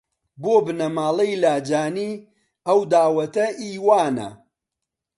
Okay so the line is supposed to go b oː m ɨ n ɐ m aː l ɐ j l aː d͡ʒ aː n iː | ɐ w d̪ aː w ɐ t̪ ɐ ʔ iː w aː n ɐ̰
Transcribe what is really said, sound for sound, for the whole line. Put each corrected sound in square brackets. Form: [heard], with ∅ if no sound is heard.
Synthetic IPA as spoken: b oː [b] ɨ n ɐ m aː l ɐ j l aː d͡ʒ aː n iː | ɐ w d̪ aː w ɐ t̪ ɐ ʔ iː w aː n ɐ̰

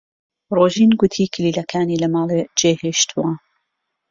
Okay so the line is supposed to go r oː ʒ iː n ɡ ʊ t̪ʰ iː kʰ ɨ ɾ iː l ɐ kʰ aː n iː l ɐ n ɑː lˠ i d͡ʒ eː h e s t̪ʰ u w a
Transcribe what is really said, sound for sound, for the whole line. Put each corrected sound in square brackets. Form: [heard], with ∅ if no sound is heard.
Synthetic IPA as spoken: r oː ʒ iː n ɡ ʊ t̪ʰ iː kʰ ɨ [l] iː l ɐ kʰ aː n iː l ɐ [m] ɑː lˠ [e] d͡ʒ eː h e [ʃ] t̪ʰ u w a

